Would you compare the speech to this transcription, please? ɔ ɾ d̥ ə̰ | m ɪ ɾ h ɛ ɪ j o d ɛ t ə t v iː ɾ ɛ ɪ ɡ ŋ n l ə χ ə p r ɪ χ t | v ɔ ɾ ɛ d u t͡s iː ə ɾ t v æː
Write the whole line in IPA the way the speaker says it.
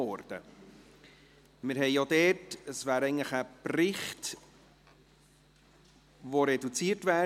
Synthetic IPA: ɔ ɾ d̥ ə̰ | m ɪ ɾ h ɛ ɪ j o d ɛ t ə s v æː ɾ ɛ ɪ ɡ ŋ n l ə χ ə p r ɪ χ t | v o ɾ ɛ d u t͡s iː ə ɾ t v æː

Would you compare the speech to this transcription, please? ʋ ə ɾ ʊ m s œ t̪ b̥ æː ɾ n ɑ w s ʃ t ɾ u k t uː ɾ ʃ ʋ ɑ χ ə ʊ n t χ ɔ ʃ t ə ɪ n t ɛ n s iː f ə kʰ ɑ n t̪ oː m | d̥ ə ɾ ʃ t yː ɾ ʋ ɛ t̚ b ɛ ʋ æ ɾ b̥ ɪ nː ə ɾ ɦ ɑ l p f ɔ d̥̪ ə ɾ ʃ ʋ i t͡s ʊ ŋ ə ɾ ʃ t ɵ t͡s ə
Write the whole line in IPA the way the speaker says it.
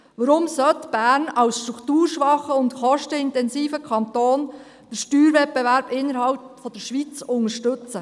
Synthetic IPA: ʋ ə ɾ ʊ m s œ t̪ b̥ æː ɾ n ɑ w s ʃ t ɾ u k t uː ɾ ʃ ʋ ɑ χ ə ʊ n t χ ɔ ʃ t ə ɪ n t ɛ n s iː f ə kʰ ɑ n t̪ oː n | d̥ ə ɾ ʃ t yː ɾ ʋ ɛ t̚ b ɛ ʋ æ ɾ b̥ ɪ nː ə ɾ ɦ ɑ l p f ɔ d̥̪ ə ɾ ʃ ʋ i t͡s ʊ ŋ ə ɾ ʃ t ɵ t͡s ə

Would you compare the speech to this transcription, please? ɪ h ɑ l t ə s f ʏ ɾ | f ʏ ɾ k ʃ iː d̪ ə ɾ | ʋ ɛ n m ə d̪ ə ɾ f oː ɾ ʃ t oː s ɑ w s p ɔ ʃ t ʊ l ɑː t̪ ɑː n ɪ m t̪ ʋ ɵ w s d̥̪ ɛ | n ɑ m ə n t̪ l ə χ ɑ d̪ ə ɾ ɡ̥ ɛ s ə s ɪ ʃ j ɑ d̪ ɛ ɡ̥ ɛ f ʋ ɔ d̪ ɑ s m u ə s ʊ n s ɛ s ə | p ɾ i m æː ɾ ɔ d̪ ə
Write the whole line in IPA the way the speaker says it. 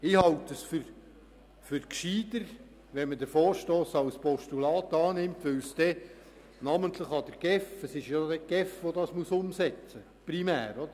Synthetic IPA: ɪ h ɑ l t ə s f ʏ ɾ | f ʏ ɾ k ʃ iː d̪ ə ɾ | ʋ ɛ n m ə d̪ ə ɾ f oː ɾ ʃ t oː s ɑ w s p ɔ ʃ t u l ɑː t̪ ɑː n ɪ m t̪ ʋ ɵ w s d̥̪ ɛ | n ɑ m ə n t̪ l ə χ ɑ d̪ ə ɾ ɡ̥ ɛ f ə s ɪ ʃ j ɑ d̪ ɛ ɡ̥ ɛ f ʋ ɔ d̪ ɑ s m u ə s ʊ m s ɛ t͡s ə | p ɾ i m æː ɾ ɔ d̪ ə

